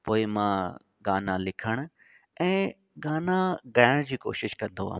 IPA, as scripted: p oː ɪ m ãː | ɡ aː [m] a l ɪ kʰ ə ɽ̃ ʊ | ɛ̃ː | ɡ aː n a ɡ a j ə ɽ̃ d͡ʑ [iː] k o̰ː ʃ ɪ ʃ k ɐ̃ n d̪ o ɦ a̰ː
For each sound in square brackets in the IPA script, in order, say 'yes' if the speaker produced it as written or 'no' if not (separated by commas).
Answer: no, yes